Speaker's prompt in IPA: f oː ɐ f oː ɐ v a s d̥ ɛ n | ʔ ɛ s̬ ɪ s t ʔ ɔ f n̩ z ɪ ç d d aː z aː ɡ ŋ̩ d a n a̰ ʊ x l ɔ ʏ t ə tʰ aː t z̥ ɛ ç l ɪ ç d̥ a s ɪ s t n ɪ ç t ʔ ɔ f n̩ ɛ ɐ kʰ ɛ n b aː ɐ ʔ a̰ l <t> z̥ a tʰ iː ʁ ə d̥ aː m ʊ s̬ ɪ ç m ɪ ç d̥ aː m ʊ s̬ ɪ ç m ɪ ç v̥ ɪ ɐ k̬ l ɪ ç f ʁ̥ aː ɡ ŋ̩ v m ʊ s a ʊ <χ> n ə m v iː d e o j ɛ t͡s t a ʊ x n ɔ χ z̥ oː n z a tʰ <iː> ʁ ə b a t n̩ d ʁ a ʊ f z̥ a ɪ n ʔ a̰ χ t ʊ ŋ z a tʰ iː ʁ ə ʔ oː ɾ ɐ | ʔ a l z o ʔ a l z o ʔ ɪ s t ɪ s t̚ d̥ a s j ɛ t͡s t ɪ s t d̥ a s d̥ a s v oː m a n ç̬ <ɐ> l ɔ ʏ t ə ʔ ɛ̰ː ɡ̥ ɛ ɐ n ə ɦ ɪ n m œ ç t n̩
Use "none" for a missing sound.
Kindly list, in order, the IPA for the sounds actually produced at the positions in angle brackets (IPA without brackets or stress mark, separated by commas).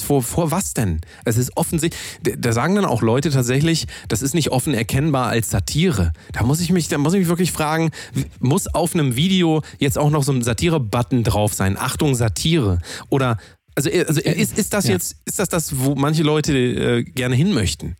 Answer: s, f, iː, ə